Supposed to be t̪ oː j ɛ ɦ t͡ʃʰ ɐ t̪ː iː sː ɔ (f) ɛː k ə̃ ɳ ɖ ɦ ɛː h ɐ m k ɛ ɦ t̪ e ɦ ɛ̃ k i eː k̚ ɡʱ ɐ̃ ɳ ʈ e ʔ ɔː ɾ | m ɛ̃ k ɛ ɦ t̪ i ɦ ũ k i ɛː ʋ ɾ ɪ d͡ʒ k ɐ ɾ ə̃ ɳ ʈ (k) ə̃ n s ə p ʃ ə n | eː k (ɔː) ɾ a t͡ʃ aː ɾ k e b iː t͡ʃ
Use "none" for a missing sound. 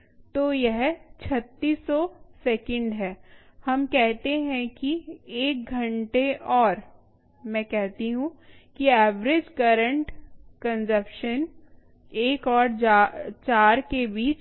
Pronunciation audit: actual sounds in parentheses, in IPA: s, k, ɔː

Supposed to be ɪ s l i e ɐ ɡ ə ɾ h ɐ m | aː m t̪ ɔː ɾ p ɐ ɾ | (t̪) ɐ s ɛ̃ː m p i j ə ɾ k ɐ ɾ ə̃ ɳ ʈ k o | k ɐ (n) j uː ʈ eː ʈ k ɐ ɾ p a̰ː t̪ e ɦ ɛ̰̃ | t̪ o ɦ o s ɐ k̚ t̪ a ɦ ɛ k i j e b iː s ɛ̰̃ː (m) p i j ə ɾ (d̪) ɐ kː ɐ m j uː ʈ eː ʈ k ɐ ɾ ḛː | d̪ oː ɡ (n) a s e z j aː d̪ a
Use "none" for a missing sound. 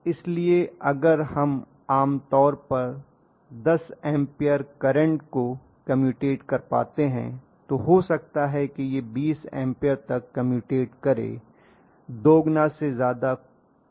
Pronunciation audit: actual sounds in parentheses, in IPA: d̪, m, m, t̪, n

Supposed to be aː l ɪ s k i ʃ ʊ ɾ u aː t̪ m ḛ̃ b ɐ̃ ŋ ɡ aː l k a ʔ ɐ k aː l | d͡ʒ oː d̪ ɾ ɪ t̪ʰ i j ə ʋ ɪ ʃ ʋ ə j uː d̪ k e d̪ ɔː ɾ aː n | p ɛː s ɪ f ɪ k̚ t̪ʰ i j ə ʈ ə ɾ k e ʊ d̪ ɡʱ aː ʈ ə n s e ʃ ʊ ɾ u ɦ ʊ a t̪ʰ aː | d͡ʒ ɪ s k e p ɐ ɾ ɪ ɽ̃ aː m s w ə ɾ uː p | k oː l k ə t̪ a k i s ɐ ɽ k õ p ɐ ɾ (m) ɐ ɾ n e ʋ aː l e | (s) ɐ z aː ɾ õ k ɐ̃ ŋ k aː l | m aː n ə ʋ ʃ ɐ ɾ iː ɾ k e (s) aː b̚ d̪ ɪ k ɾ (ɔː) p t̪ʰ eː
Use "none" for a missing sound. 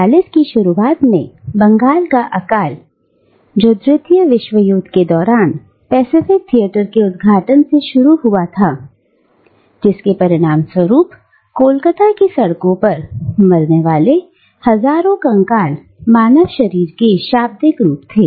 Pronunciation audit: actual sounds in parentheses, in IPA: m, h, ʃ, uː

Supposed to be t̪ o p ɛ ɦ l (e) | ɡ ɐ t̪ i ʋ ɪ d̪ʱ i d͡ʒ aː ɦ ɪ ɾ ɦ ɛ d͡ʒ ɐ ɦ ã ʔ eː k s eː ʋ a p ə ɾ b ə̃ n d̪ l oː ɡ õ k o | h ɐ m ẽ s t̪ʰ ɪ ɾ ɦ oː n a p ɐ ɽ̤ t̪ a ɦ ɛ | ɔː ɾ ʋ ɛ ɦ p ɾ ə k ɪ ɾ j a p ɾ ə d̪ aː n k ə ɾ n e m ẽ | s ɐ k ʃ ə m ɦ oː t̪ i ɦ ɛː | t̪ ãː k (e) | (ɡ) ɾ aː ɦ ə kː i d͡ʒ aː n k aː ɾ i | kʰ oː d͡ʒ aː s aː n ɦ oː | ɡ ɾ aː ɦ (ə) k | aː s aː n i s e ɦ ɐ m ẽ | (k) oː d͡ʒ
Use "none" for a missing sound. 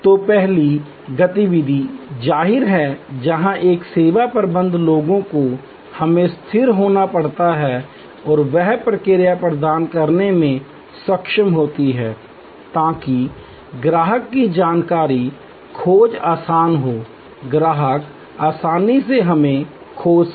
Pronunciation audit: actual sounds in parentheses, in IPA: i, i, ɡ, ə, kʰ

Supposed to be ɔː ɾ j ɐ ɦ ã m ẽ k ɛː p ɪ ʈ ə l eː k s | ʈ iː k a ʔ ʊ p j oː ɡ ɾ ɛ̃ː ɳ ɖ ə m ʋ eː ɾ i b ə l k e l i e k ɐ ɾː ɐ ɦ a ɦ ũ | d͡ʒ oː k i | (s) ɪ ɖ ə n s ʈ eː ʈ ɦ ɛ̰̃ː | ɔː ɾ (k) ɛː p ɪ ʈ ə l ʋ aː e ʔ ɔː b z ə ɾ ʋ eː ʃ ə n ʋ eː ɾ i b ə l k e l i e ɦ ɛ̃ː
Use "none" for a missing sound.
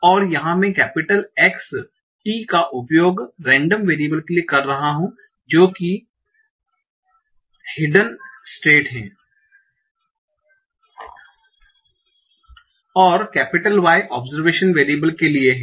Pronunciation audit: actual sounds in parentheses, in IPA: h, k

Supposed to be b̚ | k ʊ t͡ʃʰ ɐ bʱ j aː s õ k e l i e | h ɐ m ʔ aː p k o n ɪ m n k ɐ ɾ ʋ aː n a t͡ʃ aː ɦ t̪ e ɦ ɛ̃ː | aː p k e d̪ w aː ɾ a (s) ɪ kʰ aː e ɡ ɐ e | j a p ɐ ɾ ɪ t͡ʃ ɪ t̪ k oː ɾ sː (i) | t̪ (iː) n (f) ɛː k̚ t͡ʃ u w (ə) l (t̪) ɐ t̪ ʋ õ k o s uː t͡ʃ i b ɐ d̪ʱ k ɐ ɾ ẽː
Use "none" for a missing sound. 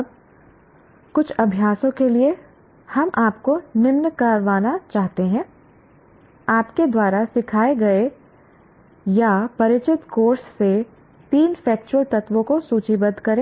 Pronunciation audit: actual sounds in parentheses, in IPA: s, e, iː, f, ə, t̪

